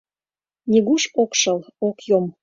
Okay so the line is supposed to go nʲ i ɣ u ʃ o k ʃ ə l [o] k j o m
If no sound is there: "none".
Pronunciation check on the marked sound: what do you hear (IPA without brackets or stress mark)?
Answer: o